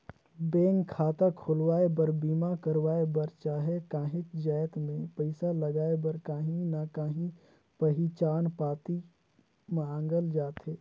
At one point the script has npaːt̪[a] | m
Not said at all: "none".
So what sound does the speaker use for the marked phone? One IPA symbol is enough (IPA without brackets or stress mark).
i